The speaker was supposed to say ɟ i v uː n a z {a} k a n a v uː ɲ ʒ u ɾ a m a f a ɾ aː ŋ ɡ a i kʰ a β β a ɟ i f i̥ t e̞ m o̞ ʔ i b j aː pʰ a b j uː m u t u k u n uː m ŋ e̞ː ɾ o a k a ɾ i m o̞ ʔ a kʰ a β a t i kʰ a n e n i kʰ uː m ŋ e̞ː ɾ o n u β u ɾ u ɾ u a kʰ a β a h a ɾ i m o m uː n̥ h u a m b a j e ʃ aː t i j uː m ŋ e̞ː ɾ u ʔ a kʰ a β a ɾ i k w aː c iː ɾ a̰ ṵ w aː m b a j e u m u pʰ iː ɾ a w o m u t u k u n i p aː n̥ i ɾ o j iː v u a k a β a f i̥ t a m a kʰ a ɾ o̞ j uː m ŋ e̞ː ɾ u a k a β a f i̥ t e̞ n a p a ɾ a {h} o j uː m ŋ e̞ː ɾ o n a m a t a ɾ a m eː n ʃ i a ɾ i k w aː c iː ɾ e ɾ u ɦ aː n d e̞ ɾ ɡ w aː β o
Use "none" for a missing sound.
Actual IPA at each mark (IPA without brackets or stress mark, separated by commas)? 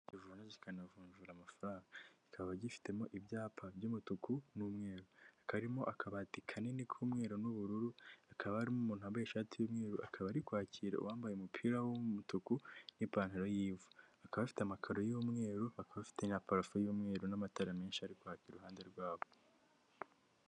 i, f